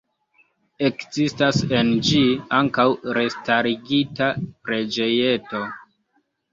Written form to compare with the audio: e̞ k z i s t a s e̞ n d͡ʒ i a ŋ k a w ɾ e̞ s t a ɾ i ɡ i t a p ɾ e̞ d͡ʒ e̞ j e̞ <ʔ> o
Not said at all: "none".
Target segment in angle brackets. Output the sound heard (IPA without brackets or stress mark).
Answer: t